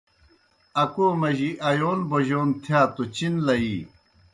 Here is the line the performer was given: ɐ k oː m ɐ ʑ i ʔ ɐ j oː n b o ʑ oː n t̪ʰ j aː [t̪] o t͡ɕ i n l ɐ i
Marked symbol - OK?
yes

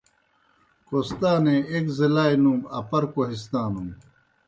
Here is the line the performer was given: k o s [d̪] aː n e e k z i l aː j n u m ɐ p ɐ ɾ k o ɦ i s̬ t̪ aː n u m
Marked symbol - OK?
no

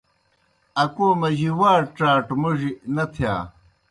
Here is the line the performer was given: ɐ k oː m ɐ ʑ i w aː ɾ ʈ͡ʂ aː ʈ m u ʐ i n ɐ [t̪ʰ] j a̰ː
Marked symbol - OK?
yes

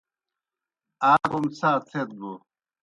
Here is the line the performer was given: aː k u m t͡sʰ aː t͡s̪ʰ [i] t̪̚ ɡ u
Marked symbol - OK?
no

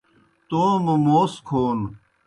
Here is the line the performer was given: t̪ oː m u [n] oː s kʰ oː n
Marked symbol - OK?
no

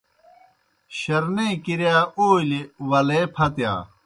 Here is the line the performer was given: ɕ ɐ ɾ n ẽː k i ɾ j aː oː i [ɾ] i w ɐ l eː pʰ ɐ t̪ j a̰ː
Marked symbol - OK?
no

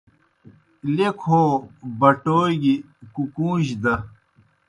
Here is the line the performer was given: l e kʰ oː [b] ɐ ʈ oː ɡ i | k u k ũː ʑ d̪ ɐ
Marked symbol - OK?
yes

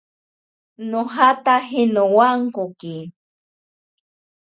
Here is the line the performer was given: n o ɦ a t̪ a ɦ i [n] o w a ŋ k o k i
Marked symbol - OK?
yes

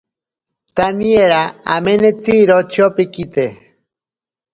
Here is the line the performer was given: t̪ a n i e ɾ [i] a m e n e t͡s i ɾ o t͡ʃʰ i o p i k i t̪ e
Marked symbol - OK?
no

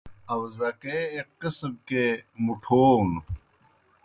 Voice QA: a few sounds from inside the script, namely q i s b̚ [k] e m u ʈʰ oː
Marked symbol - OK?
yes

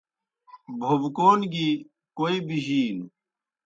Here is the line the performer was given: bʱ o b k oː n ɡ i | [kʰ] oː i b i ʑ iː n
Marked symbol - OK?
no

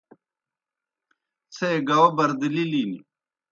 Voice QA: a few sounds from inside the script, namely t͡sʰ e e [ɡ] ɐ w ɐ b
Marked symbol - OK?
yes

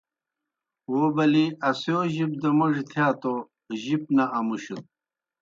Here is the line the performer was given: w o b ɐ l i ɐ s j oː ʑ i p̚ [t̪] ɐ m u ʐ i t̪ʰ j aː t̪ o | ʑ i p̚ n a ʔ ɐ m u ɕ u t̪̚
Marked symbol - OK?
no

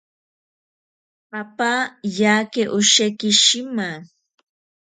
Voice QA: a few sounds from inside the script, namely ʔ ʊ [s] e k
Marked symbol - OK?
no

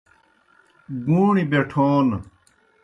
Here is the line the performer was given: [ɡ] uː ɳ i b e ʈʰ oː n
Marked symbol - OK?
yes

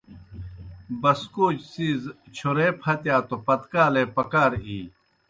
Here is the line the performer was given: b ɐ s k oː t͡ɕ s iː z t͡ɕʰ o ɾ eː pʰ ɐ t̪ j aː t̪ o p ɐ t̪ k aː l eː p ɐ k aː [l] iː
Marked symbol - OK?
no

